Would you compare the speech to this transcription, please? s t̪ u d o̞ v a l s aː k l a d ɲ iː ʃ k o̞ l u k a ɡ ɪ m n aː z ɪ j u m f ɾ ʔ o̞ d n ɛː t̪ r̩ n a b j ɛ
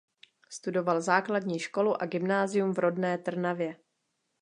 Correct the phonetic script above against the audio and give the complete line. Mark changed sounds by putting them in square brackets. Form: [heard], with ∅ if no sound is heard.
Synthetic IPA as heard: s t̪ u d o̞ v a l [z] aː k l a d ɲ iː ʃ k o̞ l u [ʔ] a ɡ ɪ m n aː z ɪ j u m [v] ɾ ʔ o̞ d n ɛː t̪ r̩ n a [v] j ɛ

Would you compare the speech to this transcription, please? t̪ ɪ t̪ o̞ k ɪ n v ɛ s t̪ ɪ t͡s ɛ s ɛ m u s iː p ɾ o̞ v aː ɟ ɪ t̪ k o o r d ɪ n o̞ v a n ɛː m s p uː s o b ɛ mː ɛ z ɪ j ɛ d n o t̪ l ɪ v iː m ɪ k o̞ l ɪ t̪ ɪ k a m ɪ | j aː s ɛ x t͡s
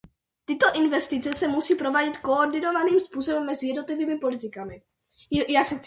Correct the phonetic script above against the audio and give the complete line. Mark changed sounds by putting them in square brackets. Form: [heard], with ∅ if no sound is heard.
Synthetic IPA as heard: t̪ ɪ t̪ o̞ [ʔ] ɪ n v ɛ s t̪ ɪ t͡s ɛ s ɛ m u s iː p ɾ o̞ v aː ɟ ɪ t̪ k o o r d ɪ n o̞ v a n [iː] m s p uː s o b ɛ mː ɛ z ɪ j ɛ d n o t̪ l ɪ v iː m ɪ [p] o̞ l ɪ t̪ ɪ k a m ɪ | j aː s ɛ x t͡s

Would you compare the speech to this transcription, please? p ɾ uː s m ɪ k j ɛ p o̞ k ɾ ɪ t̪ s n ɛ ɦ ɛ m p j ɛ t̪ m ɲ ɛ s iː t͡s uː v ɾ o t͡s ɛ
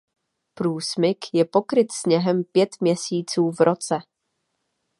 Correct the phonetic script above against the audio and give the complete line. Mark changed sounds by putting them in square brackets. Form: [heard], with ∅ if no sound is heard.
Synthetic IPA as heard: p ɾ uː s m ɪ k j ɛ p o̞ k ɾ ɪ t̪ s [ɲ] ɛ ɦ ɛ m p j ɛ t̪ m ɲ ɛ s iː t͡s uː v ɾ o t͡s ɛ

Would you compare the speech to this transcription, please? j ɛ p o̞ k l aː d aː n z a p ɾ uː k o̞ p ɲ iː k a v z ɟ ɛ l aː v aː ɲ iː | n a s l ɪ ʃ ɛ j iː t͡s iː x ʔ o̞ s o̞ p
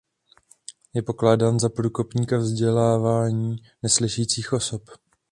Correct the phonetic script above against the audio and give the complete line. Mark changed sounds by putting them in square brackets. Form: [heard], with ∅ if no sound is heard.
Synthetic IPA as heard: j ɛ p o̞ k l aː d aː n z a p ɾ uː k o̞ p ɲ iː k a v z ɟ ɛ l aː v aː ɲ iː | n [ɛ] s l ɪ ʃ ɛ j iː t͡s iː x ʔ o̞ s o̞ p

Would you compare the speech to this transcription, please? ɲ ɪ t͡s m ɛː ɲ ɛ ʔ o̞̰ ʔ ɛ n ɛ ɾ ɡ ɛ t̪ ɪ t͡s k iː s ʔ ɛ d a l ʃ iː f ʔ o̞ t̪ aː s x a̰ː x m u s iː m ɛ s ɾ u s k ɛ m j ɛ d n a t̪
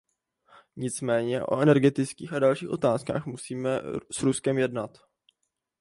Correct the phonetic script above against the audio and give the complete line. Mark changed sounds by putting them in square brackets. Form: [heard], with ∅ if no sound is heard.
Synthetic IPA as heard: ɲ ɪ t͡s m ɛː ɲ ɛ ʔ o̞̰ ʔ ɛ n ɛ ɾ ɡ ɛ t̪ ɪ t͡s k iː [x] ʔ [a] d a l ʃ iː [x] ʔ o̞ t̪ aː s [k] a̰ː x m u s iː m ɛ s ɾ u s k ɛ m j ɛ d n a t̪

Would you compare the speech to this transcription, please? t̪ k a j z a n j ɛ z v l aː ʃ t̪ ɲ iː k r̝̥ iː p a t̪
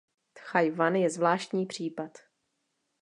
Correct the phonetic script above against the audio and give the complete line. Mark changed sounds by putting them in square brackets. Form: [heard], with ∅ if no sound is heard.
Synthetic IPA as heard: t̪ [x] a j [v] a n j ɛ z v l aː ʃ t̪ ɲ iː [p] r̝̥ iː p a t̪

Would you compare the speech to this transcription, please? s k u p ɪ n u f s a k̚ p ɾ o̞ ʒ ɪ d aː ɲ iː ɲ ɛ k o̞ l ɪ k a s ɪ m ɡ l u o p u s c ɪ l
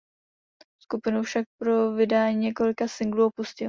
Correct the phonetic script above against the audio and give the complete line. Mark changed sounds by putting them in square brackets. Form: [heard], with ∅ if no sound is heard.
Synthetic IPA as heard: s k u p ɪ n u f [ʃ] a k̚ p ɾ o̞ [v] ɪ d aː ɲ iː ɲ ɛ k o̞ l ɪ k a s ɪ [ŋ] ɡ l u o p u s c ɪ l

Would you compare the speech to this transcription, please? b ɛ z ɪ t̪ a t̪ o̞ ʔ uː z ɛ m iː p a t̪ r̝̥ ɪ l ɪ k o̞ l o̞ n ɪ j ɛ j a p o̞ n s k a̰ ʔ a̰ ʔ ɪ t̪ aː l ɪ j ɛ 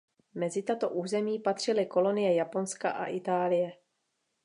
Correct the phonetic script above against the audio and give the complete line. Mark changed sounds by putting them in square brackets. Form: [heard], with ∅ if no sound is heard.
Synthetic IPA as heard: [m] ɛ z ɪ t̪ a t̪ o̞ ʔ uː z ɛ m iː p a t̪ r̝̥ ɪ l ɪ k o̞ l o̞ n ɪ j ɛ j a p o̞ n s k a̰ ʔ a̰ ʔ ɪ t̪ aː l ɪ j ɛ

